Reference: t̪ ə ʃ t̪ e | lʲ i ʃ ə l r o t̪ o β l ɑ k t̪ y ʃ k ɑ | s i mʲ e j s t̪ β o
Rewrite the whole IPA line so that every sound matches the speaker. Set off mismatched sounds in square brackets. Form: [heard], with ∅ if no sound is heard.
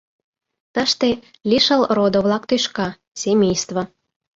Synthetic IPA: t̪ ə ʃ t̪ e | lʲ i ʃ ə l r o [d̪] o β l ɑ k t̪ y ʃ k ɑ | s [e] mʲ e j s t̪ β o